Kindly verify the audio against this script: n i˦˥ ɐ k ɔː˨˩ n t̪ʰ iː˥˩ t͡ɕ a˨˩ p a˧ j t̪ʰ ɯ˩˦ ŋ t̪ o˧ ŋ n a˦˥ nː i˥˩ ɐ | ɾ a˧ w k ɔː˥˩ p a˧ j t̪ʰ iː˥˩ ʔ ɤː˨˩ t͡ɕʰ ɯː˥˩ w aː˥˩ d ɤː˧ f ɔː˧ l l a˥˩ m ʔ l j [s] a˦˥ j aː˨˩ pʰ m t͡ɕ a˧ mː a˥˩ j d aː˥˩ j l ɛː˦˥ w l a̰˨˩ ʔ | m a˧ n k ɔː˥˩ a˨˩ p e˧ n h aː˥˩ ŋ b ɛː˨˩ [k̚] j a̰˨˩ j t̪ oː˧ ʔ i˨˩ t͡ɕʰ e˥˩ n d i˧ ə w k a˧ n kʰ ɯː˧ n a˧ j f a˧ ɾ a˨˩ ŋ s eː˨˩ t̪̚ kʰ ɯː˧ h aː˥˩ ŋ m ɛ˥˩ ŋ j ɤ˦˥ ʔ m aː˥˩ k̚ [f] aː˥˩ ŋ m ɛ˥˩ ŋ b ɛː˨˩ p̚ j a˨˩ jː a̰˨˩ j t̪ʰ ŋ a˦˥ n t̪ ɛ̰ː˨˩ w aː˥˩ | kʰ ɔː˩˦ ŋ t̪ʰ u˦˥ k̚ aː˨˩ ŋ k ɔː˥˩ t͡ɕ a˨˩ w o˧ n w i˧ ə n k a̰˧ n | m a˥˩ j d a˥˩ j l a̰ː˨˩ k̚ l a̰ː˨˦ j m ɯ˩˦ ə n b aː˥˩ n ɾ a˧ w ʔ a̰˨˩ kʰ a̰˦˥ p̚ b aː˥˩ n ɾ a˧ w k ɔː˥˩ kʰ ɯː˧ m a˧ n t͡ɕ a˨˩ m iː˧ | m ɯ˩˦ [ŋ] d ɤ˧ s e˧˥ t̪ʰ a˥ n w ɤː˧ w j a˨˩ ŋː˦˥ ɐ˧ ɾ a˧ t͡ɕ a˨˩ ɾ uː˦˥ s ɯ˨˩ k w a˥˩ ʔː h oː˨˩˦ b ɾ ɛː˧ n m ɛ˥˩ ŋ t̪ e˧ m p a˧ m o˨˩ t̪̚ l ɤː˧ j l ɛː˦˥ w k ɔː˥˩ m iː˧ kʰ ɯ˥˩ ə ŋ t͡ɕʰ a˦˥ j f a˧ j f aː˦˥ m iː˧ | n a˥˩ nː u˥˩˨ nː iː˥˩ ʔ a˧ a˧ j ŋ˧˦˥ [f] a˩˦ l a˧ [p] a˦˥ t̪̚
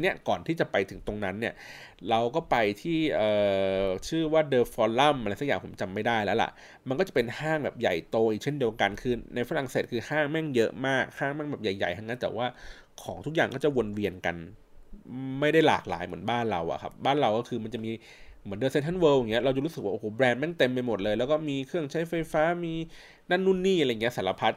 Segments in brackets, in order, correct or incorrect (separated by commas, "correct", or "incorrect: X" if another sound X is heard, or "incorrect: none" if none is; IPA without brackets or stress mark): correct, incorrect: p̚, incorrect: h, incorrect: n, incorrect: s, incorrect: pʰ